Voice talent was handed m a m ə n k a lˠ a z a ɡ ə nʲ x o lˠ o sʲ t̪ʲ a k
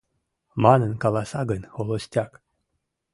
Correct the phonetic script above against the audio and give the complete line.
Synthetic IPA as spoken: m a n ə n k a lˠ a s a ɡ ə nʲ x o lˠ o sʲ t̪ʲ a k